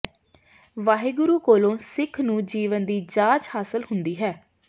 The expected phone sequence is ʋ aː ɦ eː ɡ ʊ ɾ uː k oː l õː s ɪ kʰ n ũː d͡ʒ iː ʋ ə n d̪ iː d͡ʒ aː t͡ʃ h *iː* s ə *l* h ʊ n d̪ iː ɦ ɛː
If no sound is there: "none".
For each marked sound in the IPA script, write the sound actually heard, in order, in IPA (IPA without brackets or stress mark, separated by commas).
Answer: aː, l